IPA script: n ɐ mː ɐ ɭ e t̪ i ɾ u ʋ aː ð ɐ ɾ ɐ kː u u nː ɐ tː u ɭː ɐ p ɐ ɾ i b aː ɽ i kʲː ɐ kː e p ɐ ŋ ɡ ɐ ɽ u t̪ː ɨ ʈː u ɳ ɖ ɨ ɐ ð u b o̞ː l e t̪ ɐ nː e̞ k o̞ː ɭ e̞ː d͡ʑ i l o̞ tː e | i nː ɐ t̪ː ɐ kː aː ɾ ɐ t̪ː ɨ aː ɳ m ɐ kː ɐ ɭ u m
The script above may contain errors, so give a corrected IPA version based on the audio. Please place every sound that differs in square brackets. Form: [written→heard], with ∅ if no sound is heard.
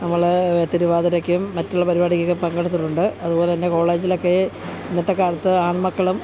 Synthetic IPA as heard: n ɐ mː ɐ ɭ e t̪ i ɾ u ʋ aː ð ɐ ɾ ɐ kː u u [nː→mː] ɐ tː u ɭː ɐ p ɐ ɾ i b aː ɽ i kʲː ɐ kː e p ɐ ŋ ɡ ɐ ɽ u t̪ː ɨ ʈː u ɳ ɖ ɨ ɐ ð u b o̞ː l e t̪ ɐ nː e̞ k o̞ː ɭ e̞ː d͡ʑ i l o̞ [tː→kː] e | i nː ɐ t̪ː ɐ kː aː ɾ ɐ t̪ː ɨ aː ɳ m ɐ kː ɐ ɭ u m